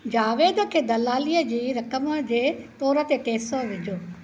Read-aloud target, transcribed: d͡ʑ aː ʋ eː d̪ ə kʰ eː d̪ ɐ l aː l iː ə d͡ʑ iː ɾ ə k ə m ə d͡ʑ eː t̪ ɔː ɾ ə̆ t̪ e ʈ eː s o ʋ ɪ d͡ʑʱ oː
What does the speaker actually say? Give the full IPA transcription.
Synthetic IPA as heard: d͡ʑ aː ʋ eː d̪ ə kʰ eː d̪ ɐ l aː l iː ə d͡ʑ iː ɾ ɐ k ə m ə d͡ʑ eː t̪ ɔː ɾ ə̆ t̪ e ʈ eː s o ʋ ɪ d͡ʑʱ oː